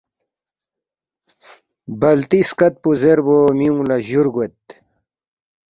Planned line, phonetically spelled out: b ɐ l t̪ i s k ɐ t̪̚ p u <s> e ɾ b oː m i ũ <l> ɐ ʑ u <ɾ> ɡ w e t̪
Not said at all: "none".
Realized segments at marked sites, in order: z, l, ɾ

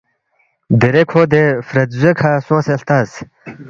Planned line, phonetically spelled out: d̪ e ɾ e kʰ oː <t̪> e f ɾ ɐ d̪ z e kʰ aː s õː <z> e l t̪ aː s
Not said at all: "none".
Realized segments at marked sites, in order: d̪, s

